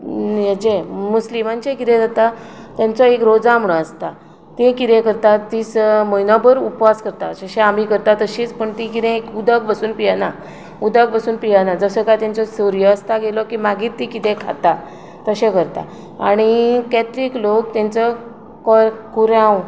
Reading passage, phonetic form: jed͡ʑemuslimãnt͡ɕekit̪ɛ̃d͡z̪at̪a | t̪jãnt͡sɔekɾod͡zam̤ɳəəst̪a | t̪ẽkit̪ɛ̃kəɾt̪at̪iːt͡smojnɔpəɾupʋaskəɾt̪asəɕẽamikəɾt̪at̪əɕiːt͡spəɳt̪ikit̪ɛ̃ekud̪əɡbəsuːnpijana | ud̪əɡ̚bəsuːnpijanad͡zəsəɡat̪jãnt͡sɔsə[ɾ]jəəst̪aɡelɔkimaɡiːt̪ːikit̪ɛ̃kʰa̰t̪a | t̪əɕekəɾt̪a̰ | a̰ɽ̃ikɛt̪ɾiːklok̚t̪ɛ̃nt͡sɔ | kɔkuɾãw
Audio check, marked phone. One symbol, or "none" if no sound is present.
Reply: ɾ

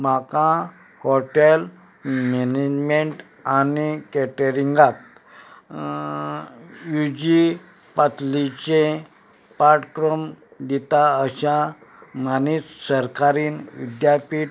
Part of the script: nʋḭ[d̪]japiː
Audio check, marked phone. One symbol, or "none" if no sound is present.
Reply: d̪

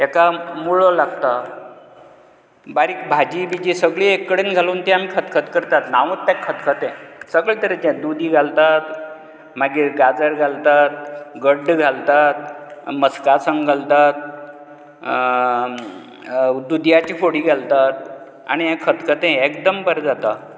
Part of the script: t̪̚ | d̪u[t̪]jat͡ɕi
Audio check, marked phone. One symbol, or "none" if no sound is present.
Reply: d̪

